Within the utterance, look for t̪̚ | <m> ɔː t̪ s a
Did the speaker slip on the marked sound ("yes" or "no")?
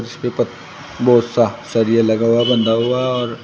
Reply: yes